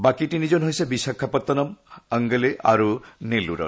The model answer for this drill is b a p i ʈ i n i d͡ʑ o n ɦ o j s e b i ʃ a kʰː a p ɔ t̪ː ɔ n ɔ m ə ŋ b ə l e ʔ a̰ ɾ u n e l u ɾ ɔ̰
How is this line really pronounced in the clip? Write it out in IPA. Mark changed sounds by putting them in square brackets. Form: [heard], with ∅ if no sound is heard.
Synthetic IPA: b a [k] i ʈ i n i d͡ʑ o n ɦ o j s e b i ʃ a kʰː a p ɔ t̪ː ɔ n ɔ m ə ŋ [ɡ] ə l e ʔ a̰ ɾ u n e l u ɾ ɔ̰